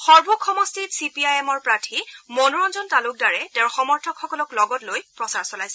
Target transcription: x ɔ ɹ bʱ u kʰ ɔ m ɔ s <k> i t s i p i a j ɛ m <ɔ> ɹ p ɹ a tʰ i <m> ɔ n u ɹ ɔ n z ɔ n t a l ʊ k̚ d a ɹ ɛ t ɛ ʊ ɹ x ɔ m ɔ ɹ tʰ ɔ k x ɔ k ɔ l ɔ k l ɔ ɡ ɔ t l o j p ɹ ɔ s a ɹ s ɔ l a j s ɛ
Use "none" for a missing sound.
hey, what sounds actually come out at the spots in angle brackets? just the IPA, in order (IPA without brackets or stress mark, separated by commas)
t, ɔ, m